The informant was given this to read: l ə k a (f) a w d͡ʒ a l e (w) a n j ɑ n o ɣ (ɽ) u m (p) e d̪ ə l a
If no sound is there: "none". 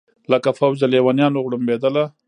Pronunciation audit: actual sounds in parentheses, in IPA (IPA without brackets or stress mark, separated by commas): f, w, ɽ, b